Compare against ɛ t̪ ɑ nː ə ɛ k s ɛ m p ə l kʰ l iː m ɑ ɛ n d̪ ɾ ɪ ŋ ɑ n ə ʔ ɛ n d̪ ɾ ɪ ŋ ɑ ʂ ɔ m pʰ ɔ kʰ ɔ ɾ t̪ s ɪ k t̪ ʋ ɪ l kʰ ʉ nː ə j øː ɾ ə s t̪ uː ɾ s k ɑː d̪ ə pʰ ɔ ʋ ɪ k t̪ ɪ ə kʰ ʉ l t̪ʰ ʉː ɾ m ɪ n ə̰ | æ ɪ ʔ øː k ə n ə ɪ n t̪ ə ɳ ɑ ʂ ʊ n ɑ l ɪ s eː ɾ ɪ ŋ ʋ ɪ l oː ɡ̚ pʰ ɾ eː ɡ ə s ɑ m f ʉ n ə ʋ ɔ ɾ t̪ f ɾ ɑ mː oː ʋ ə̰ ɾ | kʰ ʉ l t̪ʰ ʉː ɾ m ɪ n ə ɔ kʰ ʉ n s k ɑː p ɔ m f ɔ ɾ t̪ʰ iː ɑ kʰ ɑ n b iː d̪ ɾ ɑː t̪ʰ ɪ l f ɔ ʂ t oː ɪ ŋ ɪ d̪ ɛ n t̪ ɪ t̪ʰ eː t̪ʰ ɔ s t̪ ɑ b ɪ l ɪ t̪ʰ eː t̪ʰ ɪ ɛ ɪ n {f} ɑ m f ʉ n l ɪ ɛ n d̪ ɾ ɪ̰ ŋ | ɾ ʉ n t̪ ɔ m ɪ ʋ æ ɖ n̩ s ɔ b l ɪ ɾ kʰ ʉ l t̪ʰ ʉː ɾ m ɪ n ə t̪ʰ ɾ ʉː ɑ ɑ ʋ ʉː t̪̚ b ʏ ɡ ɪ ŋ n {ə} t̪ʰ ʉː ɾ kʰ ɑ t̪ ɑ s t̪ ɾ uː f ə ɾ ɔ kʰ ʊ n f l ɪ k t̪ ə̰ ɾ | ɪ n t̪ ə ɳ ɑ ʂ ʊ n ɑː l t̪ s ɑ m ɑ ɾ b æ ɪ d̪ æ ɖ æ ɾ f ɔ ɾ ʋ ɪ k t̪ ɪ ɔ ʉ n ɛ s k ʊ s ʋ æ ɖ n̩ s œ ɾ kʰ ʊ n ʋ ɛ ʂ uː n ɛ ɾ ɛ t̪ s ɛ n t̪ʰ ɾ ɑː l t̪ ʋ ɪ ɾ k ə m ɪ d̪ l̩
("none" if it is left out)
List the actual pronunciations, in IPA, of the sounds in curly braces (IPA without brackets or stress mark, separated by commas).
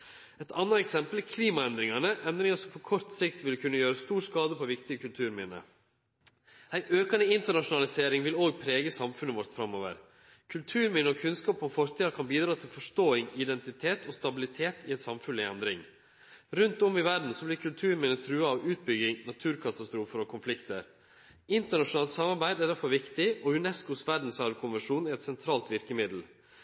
s, ɑ